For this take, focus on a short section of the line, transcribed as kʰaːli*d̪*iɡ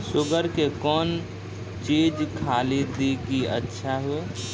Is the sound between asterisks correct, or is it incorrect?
correct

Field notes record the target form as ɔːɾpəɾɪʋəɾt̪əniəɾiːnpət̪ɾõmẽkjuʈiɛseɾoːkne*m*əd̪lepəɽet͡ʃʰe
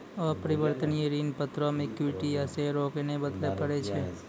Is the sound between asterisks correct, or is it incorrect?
incorrect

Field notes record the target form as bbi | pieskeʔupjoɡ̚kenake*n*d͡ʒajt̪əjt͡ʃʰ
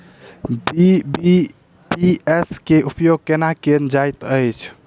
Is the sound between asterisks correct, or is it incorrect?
correct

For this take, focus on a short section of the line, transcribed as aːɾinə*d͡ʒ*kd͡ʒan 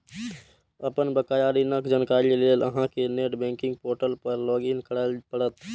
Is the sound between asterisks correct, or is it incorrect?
incorrect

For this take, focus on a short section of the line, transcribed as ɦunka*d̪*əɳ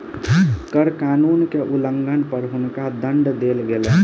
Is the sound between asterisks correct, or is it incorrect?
correct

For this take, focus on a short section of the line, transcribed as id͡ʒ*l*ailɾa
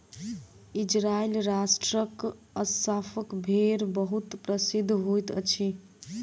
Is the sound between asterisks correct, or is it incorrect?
incorrect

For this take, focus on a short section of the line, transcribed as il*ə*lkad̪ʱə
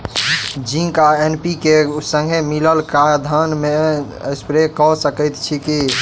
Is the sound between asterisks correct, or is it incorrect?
correct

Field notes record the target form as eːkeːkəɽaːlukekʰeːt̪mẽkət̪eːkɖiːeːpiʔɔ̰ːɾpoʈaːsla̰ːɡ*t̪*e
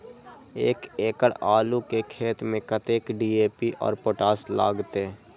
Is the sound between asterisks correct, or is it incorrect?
correct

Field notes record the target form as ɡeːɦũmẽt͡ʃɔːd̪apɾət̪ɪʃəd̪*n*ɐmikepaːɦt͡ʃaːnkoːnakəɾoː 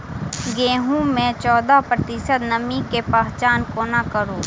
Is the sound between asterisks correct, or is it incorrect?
correct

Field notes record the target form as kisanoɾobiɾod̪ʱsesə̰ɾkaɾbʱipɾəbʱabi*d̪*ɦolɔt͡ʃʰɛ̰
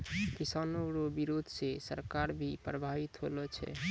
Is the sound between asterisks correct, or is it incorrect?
incorrect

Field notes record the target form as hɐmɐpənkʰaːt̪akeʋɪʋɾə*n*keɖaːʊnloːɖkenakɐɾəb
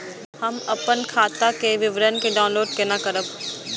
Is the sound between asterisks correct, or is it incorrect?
correct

